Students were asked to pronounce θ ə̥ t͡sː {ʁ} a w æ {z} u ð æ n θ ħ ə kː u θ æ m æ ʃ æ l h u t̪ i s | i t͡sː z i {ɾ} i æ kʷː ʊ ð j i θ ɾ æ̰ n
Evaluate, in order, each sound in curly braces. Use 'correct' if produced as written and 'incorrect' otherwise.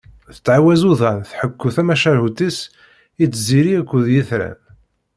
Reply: incorrect, correct, correct

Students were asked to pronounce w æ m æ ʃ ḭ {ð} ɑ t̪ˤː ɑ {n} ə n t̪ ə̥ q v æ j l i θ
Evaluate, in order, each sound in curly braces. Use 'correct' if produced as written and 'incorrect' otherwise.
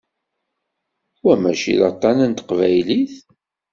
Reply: correct, correct

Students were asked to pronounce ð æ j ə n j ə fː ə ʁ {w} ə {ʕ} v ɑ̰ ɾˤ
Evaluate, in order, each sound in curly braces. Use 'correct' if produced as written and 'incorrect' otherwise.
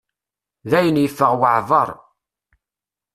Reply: correct, correct

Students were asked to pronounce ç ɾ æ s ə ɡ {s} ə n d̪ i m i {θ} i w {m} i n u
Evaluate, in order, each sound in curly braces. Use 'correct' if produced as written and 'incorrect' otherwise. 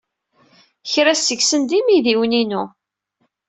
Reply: correct, incorrect, incorrect

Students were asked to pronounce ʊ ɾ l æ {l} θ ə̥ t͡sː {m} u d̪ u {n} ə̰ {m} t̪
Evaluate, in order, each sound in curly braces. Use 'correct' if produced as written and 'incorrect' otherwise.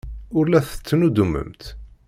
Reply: incorrect, incorrect, incorrect, correct

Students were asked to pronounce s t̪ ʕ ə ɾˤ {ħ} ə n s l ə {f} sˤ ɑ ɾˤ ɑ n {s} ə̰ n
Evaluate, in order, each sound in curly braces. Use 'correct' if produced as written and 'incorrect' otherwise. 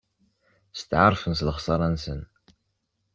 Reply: incorrect, incorrect, correct

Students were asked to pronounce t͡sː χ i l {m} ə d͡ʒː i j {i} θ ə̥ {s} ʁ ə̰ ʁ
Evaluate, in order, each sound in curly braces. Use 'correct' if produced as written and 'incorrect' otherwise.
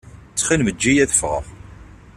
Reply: correct, incorrect, incorrect

